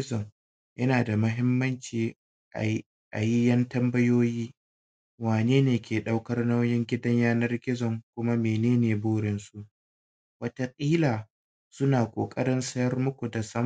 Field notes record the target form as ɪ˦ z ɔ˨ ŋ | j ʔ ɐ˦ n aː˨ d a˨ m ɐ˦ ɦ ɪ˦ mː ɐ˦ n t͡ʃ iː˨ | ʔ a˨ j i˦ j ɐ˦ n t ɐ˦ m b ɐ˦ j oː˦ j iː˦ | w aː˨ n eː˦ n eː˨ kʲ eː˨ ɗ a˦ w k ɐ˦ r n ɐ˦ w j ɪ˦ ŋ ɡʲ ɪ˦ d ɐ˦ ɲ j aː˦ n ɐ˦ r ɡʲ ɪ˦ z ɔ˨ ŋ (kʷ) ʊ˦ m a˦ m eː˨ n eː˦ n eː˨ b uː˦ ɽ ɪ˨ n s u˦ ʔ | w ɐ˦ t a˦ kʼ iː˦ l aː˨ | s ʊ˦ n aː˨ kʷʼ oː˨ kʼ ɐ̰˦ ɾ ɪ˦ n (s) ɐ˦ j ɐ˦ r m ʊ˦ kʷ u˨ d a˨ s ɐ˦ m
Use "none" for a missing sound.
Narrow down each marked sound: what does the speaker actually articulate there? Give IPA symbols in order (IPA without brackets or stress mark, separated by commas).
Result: kʷ, s